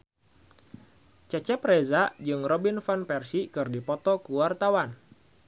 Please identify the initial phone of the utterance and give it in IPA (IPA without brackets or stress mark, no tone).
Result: t͡ʃ